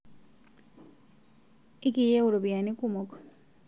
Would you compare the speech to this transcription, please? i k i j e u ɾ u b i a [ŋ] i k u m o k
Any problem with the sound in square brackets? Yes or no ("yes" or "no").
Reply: yes